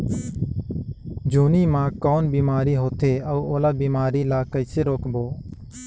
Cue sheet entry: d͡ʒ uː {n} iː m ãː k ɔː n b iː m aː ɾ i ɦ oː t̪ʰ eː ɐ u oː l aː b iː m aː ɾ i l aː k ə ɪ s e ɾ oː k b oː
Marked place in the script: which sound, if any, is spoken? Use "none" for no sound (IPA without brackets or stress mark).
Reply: n